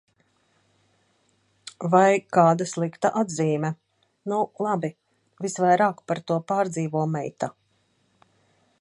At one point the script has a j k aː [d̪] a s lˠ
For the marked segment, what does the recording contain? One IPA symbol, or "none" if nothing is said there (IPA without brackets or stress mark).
d̪